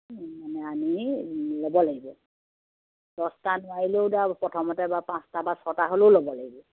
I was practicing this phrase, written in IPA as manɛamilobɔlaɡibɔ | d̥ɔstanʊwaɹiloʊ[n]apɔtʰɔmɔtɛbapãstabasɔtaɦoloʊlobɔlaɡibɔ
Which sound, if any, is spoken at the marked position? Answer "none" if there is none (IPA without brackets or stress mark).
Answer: d